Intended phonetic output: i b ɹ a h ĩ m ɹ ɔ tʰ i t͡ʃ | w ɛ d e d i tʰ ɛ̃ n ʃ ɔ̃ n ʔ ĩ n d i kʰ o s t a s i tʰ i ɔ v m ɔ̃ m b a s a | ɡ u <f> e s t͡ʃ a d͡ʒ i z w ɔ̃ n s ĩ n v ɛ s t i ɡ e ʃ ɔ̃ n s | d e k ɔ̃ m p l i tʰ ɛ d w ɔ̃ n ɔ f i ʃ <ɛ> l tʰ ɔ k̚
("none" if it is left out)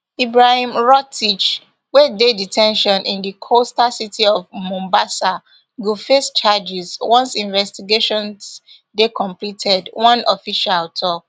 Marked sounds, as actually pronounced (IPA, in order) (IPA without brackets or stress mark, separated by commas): f, a